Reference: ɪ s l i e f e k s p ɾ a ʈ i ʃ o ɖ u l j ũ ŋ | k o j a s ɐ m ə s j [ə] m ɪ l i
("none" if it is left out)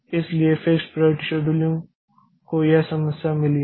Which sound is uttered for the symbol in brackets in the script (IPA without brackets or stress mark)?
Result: a